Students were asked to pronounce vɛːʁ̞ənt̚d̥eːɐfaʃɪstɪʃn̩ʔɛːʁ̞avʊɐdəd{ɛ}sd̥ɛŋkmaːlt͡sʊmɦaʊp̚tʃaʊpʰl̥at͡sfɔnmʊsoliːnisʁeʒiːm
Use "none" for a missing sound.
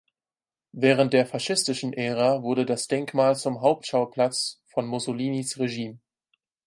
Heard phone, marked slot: a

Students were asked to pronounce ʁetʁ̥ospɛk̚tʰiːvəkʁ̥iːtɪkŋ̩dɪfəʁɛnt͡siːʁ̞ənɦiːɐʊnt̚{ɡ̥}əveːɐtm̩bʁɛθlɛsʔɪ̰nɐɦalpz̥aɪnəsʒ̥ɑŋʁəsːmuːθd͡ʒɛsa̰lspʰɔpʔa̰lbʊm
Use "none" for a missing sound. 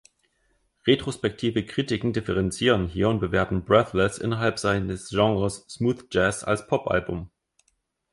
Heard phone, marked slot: b̥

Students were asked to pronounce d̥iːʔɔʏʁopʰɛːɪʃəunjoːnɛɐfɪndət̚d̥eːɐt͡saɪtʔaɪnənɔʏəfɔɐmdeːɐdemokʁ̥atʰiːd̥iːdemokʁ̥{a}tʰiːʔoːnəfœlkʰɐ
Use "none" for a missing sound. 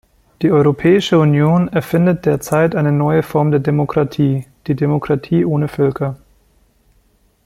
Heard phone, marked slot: a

